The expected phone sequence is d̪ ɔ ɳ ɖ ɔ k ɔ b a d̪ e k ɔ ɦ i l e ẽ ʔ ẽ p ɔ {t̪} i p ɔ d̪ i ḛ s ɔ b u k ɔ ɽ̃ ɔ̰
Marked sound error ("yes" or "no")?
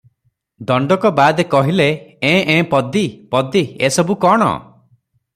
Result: yes